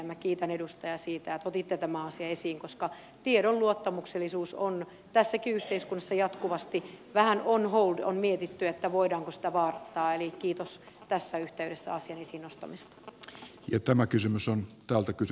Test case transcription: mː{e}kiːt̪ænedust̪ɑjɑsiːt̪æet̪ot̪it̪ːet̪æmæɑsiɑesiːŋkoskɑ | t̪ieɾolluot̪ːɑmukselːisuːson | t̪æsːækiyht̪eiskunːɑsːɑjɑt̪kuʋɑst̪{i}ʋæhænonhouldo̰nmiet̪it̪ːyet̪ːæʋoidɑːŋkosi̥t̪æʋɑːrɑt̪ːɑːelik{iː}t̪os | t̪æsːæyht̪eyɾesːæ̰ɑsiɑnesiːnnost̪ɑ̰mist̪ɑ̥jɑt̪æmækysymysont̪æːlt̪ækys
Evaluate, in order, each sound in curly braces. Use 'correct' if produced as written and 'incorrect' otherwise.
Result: incorrect, correct, correct

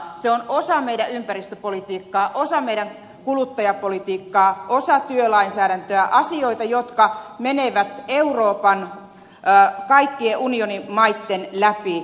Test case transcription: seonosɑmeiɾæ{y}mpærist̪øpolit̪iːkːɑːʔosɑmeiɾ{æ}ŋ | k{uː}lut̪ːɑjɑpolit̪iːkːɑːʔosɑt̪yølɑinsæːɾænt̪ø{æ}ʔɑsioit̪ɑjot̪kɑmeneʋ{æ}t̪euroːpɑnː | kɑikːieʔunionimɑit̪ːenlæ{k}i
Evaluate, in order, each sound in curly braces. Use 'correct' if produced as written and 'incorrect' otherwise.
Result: correct, correct, incorrect, correct, correct, incorrect

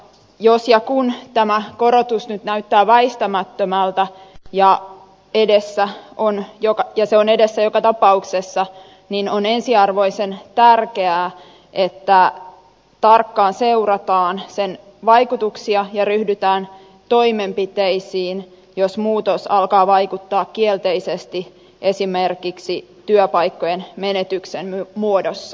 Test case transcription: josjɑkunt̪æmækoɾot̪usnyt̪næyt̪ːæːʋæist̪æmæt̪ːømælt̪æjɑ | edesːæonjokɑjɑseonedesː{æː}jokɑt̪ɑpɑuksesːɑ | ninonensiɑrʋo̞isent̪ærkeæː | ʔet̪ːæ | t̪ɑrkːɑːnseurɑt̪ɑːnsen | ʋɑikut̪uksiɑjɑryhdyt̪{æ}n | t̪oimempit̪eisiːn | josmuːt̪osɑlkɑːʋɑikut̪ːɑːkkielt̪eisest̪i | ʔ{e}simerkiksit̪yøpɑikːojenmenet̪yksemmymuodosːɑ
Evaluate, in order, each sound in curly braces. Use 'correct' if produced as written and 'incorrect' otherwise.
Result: incorrect, incorrect, correct

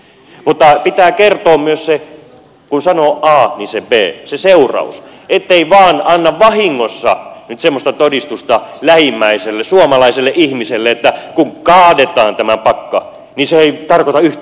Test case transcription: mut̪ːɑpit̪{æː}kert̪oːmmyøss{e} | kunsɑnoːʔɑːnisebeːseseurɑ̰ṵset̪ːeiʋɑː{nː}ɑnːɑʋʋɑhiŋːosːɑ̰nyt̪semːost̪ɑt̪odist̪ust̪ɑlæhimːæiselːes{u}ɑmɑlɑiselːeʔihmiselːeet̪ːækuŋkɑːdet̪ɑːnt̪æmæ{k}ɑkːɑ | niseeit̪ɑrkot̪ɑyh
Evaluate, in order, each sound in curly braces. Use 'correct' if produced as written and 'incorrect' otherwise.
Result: correct, correct, incorrect, correct, incorrect

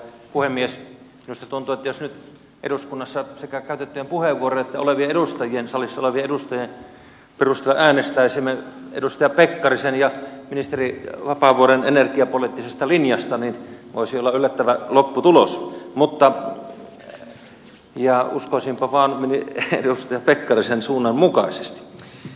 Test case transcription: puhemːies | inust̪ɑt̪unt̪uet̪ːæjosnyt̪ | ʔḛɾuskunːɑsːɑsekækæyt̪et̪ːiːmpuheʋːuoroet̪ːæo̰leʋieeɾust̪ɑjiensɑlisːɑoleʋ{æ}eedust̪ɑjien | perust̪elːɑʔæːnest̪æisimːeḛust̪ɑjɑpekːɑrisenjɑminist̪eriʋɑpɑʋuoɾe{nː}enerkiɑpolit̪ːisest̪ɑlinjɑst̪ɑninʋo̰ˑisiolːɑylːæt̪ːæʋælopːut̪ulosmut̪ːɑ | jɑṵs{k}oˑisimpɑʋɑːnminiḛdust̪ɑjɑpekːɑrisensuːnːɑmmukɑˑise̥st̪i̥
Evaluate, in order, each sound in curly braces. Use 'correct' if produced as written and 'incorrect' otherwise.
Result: incorrect, incorrect, correct

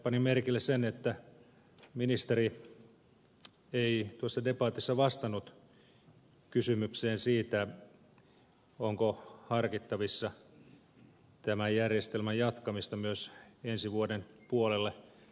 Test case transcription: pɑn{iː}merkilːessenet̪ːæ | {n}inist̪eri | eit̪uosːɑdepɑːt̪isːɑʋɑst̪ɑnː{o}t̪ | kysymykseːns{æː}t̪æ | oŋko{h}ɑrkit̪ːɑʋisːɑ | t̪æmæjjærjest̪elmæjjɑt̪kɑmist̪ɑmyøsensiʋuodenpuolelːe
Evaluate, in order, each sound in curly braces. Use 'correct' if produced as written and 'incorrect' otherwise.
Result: incorrect, incorrect, incorrect, incorrect, correct

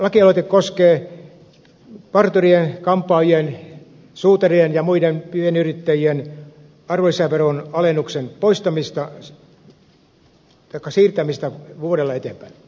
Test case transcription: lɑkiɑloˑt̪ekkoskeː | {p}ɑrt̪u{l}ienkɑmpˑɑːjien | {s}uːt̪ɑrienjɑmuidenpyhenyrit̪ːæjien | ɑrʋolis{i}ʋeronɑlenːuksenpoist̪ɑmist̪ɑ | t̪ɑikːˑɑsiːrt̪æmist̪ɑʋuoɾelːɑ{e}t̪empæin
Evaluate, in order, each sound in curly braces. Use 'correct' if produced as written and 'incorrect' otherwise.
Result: correct, incorrect, correct, incorrect, correct

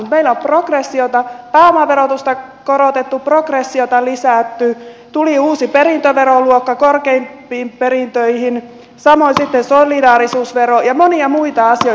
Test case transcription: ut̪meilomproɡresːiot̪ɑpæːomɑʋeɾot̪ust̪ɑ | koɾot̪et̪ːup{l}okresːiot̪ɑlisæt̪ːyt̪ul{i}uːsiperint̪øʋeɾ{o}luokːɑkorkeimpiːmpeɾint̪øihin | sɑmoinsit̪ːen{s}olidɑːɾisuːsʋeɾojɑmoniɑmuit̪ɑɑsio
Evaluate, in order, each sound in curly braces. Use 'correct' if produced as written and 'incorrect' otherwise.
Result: incorrect, correct, correct, correct

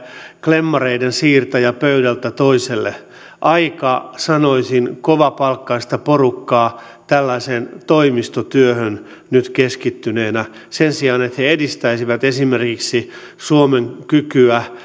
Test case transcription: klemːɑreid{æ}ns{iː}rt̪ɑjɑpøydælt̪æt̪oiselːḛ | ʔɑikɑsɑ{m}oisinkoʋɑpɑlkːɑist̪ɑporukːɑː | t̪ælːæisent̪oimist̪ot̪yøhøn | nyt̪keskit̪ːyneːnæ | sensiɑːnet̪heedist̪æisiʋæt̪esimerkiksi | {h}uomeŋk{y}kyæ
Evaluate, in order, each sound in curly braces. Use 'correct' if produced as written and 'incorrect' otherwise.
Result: incorrect, correct, incorrect, incorrect, correct

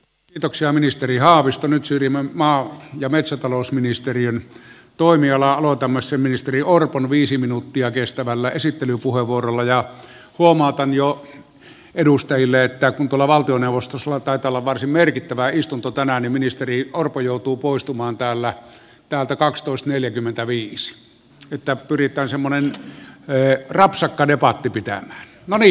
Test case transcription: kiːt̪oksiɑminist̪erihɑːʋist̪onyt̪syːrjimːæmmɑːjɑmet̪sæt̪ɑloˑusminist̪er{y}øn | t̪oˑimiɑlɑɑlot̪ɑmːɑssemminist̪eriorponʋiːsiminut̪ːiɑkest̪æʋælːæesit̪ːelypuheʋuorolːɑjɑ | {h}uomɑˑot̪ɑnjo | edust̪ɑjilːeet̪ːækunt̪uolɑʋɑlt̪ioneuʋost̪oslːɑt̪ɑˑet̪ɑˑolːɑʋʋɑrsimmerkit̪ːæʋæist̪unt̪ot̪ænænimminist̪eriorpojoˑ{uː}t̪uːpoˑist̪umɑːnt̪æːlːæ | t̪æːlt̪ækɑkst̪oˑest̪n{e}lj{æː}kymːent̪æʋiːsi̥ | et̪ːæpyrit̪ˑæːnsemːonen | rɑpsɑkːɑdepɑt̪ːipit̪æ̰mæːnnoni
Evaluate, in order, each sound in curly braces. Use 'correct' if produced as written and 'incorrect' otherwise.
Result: incorrect, correct, incorrect, correct, incorrect

